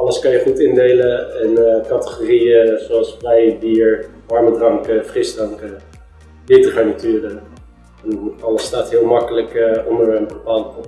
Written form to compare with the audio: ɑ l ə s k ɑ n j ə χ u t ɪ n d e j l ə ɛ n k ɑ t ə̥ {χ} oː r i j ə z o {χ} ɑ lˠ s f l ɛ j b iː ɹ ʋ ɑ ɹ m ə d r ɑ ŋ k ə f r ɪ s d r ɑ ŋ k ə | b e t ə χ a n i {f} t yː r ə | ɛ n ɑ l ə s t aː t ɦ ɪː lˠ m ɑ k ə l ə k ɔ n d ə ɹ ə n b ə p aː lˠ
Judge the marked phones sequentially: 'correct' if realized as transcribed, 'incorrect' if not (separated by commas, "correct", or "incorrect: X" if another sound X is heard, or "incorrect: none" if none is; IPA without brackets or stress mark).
correct, incorrect: none, incorrect: none